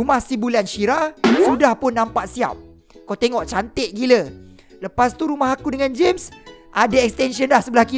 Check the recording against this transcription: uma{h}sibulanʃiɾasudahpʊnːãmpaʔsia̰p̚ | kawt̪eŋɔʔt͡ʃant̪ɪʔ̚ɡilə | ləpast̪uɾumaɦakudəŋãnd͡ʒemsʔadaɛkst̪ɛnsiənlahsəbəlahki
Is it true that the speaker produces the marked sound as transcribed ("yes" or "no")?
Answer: yes